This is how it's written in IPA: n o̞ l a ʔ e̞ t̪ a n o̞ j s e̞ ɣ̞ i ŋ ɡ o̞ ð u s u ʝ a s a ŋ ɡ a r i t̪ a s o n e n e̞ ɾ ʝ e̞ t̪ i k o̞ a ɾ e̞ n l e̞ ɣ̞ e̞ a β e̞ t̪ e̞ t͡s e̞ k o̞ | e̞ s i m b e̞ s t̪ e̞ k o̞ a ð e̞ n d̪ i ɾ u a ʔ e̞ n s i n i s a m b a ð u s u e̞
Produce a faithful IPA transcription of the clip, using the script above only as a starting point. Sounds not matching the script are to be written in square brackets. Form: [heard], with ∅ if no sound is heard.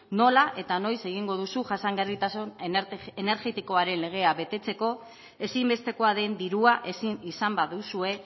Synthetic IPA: n o̞ l a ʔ e̞ t̪ a n o̞ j s e̞ ɣ̞ i ŋ ɡ o̞ ð u s u ʝ a s a ŋ ɡ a r i t̪ a s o n e n e̞ ɾ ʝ e̞ t̪ i k o̞ a ɾ e̞ n l e̞ ɣ̞ e̞ a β e̞ t̪ e̞ t͡s e̞ k o̞ | e̞ s i m b e̞ s t̪ e̞ k o̞ a ð e̞ n d̪ i ɾ u a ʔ e̞ [∅] s i n i s a m b a ð u s u e̞